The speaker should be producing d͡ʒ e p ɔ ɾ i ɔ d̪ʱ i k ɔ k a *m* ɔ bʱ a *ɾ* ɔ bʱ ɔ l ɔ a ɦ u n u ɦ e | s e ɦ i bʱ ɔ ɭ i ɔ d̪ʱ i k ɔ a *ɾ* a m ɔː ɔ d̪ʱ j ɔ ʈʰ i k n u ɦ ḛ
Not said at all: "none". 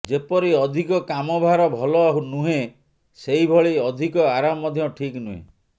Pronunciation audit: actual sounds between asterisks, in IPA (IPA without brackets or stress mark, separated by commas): m, ɾ, ɾ